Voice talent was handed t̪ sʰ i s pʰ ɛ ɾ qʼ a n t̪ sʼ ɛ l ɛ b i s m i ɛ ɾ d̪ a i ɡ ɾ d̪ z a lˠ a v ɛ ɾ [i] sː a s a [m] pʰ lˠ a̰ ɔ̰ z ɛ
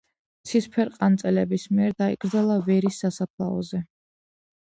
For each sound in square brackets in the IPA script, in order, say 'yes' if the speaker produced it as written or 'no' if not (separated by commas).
yes, no